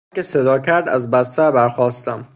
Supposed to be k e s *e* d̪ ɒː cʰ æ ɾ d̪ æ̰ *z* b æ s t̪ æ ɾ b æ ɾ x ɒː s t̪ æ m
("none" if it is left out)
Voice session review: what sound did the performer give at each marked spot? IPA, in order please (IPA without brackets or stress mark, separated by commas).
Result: e, z